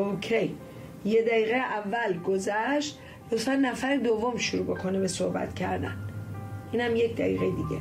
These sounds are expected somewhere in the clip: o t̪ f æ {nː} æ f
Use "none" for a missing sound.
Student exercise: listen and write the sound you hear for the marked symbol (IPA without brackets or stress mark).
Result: nː